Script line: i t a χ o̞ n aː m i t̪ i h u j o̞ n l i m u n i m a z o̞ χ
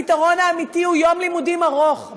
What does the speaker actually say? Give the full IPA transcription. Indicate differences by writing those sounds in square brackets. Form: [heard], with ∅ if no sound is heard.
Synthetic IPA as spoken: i t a [ʁ] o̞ n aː m i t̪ i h u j o̞ [m] l i m u [d] i m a [ʁ] o̞ χ